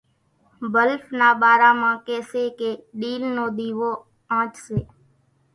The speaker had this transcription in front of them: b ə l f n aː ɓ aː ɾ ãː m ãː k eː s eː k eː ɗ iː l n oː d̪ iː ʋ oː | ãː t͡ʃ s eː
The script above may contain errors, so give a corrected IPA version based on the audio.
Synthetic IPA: b ə l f n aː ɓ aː ɾ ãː m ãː k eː s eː k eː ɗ iː l n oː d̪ iː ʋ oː | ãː t͡ʃ s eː

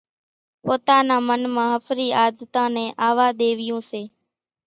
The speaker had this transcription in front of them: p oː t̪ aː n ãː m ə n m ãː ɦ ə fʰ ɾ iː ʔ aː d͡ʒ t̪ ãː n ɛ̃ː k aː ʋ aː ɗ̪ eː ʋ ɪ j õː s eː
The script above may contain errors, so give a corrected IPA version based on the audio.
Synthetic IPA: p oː t̪ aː n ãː m ə n m ãː ɦ ə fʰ ɾ iː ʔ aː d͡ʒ t̪ ãː n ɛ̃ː ʔ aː ʋ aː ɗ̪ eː ʋ ɪ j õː s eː

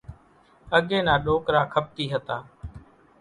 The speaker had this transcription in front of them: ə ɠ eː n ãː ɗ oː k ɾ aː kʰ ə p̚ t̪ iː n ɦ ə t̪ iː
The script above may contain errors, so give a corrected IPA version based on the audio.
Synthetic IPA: ə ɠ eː n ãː ɗ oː k ɾ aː kʰ ə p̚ t̪ iː ɦ ə t̪ aː

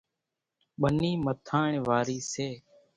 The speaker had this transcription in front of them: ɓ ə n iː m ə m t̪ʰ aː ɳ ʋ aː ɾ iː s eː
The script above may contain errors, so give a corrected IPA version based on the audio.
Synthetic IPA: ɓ ə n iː m ə t̪ʰ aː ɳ ʋ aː ɾ iː s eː

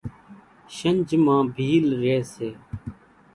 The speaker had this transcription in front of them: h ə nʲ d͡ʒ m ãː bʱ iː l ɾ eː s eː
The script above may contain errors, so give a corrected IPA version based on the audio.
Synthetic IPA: ʃ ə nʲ d͡ʒ m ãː bʱ iː l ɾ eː s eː

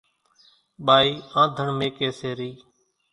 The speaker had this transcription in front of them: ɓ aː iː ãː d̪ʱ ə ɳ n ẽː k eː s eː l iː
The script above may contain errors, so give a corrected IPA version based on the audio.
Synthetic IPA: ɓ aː iː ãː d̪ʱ ə ɳ m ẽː k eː s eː ɾ iː

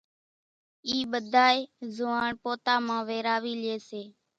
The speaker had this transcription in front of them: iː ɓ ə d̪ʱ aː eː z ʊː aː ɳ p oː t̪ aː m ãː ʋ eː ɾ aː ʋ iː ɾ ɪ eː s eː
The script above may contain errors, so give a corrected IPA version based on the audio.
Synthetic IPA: iː ɓ ə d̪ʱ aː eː z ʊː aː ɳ p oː t̪ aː m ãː ʋ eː ɾ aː ʋ iː l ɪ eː s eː

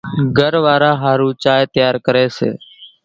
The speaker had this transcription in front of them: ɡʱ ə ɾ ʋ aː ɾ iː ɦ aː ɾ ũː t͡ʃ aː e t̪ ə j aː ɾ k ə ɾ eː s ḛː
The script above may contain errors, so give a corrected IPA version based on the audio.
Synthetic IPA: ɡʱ ə ɾ ʋ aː ɾ aː ɦ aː ɾ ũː t͡ʃ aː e t̪ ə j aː ɾ k ə ɾ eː s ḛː

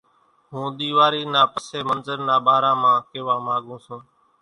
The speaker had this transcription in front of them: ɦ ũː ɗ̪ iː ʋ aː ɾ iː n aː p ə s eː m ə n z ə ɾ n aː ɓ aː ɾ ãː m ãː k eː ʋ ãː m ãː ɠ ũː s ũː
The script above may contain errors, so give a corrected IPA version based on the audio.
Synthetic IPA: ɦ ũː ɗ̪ iː ʋ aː ɾ iː n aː p ə s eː m ə n z ə ɾ n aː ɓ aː ɾ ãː m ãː k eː ʋ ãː m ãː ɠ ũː s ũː

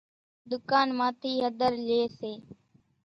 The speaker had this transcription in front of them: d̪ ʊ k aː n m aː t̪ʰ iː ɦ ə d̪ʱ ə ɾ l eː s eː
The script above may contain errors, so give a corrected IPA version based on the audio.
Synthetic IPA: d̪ ʊ k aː n m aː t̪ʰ iː ɦ ə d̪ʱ ə ɾ l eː s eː

